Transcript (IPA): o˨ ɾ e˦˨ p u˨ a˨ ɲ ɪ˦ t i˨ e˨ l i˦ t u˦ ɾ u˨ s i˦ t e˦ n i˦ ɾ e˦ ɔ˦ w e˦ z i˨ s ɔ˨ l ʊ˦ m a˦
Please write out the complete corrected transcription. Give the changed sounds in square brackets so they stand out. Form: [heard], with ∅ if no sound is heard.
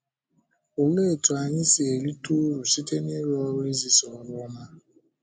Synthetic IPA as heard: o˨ [l] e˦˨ [t] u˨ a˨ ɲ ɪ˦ [s] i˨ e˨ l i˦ t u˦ ɾ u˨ s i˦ t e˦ n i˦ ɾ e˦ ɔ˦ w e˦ z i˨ s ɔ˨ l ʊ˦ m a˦